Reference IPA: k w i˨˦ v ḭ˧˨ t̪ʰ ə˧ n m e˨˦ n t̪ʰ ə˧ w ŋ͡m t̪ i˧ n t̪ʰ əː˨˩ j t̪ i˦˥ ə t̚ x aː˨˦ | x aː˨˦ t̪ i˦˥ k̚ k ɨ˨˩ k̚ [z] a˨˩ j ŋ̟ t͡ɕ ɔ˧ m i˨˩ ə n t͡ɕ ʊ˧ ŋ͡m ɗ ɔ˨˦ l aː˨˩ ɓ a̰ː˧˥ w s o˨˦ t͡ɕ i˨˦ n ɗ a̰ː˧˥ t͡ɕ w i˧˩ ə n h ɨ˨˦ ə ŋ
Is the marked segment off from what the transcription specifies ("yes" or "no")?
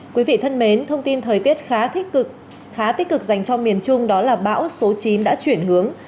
no